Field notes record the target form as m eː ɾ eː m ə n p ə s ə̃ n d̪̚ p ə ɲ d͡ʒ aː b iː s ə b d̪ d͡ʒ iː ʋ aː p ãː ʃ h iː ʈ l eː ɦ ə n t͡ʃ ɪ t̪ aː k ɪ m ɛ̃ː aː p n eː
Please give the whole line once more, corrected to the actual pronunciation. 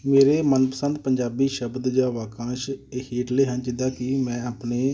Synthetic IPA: m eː ɾ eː m ə n p ə s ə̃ n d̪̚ p ə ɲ d͡ʒ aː b iː ʃ ə b d̪ d͡ʒ aː ʋ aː k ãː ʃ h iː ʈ l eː ɦ ə n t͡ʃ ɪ d̪ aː k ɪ m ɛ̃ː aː p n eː

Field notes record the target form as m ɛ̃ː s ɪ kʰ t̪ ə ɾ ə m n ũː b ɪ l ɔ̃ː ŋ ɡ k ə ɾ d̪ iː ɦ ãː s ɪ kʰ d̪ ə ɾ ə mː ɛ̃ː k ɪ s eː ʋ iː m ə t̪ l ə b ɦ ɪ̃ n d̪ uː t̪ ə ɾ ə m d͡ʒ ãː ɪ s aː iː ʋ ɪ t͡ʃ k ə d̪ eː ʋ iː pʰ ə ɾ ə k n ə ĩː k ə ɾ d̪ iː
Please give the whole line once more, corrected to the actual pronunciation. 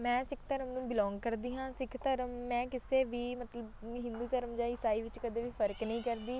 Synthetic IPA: m ɛ̃ː s ɪ kʰ t̪ ə ɾ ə m n ũː b ɪ l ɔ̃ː ŋ ɡ k ə ɾ d̪ iː ɦ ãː s ɪ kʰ t̪ ə ɾ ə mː ɛ̃ː k ɪ s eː ʋ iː m ə t̪ l ə b ɦ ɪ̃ n d̪ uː t̪ ə ɾ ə m d͡ʒ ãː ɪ s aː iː ʋ ɪ t͡ʃ k ə d̪ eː ʋ iː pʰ ə ɾ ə k n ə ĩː k ə ɾ d̪ iː

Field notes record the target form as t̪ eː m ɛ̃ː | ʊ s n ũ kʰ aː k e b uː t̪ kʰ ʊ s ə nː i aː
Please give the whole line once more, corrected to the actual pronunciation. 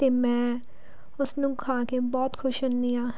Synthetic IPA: t̪ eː m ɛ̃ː | ʊ s n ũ kʰ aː k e b ɔː t̪ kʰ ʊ ʃ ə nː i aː

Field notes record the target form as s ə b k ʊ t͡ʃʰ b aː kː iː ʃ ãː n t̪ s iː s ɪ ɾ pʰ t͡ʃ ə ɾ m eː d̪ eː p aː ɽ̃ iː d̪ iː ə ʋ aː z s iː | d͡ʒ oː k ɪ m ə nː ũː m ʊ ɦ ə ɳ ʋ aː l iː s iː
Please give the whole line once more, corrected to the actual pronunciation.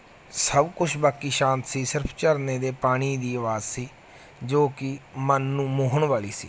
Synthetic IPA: s ə b k ʊ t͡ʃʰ b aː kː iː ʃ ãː n t̪ s iː s ɪ ɾ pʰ t͡ʃ ə ɾ n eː d̪ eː p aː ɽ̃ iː d̪ iː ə ʋ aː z s iː | d͡ʒ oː k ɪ m ə nː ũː m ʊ ɦ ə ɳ ʋ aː l iː s iː

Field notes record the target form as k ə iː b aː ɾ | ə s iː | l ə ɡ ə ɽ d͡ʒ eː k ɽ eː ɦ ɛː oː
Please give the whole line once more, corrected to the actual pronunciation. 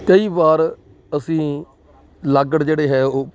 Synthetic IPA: k ə iː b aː ɾ | ə s ĩː | l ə ɡ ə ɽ d͡ʒ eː ɽ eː ɦ ɛː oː

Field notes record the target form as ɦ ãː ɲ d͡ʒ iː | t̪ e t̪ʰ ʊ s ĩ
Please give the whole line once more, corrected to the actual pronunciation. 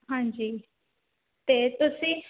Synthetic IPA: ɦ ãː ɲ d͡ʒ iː | t̪ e t̪ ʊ s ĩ

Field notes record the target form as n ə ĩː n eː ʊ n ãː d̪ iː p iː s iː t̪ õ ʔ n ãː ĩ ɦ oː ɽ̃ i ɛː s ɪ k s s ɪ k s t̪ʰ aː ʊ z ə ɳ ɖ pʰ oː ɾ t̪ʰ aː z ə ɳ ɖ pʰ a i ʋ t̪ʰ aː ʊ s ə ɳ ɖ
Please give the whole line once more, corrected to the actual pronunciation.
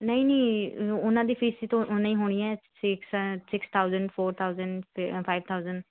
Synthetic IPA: n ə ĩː n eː ʊ n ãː d̪ iː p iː s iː t̪ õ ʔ n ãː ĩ ɦ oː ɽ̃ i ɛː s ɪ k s s ɪ k s t̪ʰ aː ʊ z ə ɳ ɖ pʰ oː ɾ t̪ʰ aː z ə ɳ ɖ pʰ a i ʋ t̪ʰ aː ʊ z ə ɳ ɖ

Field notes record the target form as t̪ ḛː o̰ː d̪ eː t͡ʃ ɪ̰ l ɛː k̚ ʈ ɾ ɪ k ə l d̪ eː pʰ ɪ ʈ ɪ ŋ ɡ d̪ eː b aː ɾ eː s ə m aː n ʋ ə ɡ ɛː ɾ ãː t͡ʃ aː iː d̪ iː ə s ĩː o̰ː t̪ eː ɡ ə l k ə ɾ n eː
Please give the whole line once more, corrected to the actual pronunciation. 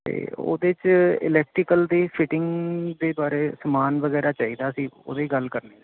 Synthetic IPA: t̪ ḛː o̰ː d̪ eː t͡ʃ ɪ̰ l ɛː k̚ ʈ ɾ ɪ k ə l d̪ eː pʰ ɪ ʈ ɪ ŋ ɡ d̪ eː b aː ɾ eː s ə m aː n ʋ ə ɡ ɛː ɾ aː t͡ʃ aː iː d̪ aː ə s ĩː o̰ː d̪ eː ɡ ə l k ə ɾ n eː

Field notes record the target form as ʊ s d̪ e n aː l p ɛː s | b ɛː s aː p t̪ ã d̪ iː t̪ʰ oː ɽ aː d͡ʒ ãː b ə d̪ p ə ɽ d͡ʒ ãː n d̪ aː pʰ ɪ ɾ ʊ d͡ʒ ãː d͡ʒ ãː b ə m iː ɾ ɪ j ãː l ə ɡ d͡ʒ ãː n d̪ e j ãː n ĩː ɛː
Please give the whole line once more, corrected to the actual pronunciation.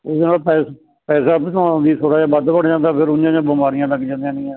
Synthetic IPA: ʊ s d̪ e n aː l p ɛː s | p ɛː s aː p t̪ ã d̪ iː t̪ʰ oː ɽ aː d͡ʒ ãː b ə d̪ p ə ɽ d͡ʒ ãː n d̪ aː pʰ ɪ ɾ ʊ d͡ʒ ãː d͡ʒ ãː b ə m aː ɾ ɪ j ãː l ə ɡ d͡ʒ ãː n d̪ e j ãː n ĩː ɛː

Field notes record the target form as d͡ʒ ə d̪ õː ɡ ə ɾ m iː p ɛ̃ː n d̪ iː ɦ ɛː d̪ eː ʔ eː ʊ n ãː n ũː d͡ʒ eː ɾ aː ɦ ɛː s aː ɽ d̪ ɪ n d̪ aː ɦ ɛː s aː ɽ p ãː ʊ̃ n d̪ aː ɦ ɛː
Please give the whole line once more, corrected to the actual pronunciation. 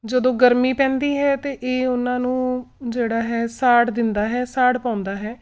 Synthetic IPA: d͡ʒ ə d̪ õː ɡ ə ɾ m iː p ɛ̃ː n d̪ iː ɦ ɛː t̪ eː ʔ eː ʊ n ãː n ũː d͡ʒ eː ɽ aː ɦ ɛː s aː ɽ d̪ ɪ n d̪ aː ɦ ɛː s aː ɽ p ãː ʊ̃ n d̪ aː ɦ ɛː

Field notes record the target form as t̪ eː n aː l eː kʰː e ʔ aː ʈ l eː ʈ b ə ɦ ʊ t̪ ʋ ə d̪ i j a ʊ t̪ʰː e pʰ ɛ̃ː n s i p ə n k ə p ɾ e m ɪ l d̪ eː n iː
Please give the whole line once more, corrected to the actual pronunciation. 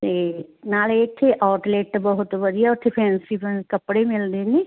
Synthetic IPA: t̪ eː n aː l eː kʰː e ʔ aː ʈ l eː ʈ b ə ɦ ʊ t̪ ʋ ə d̪ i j a ʊ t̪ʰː e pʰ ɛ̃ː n s i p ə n k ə p ɽ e m ɪ l d̪ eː n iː

